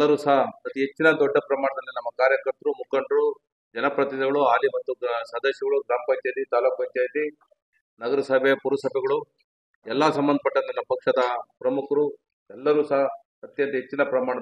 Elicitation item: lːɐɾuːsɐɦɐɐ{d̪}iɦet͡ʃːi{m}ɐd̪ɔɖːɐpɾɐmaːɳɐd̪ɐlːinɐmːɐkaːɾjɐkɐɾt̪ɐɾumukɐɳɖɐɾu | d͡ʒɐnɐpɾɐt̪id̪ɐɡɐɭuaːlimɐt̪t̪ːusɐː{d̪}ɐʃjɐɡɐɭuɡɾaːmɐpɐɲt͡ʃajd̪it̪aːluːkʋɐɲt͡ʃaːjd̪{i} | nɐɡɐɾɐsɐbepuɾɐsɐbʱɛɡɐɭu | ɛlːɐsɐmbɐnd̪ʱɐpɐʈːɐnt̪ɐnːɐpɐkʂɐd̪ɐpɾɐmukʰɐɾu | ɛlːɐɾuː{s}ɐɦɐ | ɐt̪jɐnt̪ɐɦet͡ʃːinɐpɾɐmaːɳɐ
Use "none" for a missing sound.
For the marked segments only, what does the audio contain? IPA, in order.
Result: t̪, n, d̪, i, s

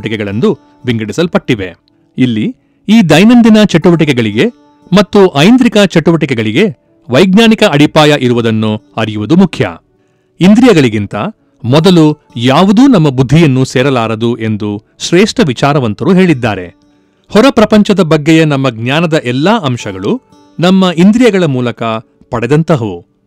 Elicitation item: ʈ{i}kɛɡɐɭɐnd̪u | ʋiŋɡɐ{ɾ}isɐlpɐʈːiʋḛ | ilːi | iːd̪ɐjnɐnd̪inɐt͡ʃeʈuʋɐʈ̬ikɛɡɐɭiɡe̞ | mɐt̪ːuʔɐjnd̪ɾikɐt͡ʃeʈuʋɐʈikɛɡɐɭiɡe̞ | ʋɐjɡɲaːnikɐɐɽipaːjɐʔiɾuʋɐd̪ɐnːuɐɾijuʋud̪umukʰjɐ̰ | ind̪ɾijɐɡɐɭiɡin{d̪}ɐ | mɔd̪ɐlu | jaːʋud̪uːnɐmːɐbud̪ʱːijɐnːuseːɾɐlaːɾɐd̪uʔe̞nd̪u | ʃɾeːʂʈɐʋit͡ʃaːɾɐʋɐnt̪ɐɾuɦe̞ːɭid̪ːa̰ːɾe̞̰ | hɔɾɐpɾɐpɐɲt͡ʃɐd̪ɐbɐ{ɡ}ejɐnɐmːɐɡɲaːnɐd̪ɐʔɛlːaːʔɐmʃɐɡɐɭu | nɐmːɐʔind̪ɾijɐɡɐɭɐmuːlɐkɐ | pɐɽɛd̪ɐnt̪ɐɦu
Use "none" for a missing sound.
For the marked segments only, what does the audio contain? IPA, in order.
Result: i, ɽ, t̪, ɡː

